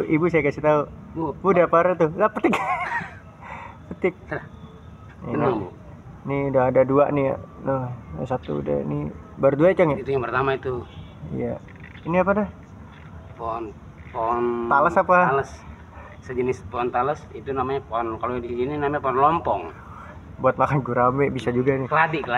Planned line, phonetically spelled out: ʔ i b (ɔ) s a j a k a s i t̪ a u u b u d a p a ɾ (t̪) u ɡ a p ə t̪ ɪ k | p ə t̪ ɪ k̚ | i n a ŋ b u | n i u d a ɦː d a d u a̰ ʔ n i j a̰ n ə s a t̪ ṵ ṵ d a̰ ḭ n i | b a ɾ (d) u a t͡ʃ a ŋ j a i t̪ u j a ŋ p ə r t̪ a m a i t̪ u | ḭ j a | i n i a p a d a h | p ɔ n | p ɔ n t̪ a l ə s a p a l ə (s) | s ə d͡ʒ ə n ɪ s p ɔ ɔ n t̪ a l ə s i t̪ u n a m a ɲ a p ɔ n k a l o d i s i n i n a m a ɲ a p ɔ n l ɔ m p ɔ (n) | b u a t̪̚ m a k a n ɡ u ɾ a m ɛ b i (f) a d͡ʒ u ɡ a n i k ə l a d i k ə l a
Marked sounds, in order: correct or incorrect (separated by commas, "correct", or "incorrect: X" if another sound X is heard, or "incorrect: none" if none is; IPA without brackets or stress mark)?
incorrect: u, correct, correct, correct, incorrect: ŋ, incorrect: s